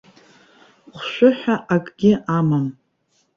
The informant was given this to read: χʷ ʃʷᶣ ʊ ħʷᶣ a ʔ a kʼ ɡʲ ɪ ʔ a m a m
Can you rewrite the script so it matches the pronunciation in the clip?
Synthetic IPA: χʷ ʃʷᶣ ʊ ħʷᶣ a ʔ a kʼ ɡʲ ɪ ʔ a m a m